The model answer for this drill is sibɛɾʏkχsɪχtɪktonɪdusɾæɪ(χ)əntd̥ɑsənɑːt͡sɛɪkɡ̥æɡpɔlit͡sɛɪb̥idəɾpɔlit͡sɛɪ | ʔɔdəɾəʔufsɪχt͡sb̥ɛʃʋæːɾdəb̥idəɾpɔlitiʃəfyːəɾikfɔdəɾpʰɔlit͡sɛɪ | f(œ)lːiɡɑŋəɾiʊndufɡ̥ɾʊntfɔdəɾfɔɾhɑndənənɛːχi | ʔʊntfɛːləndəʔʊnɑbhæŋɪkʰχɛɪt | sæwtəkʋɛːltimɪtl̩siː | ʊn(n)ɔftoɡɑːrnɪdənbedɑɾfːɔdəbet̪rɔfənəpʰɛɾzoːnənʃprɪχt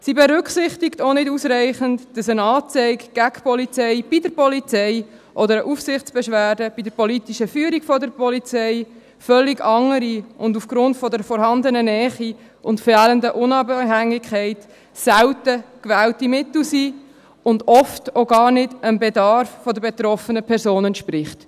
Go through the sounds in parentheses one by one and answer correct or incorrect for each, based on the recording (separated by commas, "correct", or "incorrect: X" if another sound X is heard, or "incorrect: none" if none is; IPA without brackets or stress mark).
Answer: correct, correct, incorrect: d